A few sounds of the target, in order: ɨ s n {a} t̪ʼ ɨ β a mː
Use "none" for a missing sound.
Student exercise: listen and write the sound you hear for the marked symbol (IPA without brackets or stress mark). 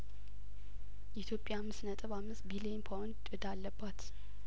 ə